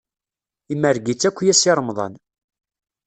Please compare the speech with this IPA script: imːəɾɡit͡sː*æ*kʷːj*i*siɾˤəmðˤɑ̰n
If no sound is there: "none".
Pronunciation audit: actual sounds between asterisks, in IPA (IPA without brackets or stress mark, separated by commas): æ, æ